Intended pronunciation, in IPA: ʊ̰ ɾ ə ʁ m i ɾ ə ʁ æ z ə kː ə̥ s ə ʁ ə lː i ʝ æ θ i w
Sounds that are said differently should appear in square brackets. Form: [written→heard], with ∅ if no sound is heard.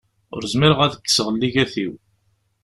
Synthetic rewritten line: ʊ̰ ɾ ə [ʁ→z] m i ɾ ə ʁ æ [z→ð] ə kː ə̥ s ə ʁ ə lː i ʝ æ θ i w